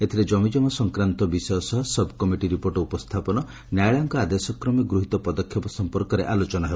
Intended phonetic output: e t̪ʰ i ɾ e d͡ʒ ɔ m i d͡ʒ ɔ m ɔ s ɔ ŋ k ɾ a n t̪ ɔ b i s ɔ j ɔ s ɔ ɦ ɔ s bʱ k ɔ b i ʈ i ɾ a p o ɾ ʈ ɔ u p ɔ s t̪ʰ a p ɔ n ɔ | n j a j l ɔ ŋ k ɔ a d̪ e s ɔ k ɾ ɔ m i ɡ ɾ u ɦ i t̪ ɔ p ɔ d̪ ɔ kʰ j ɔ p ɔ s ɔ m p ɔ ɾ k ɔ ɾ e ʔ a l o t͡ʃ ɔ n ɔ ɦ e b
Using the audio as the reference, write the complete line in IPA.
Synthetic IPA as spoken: e t̪ʰ i ɾ e d͡ʒ ɔ m i d͡ʒ ɔ m ɔ s ɔ ŋ k ɾ a n t̪ ɔ b i s ɔ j ɔ s ɔ ɦ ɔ s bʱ k ɔ m i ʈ i ɾ i p o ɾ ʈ ɔ u p ɔ s t̪ʰ a p ɔ n ɔ | n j a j ɭ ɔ ŋ k ɔ a d̪ e s ɔ k ɾ ɔ m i ɡ ɾ u ɦ i t̪ ɔ p ɔ d̪ ɔ kʰ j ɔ p ɔ s ɔ m p ɔ ɾ k ɔ ɾ e ʔ a l o t͡ʃ ɔ n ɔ ɦ e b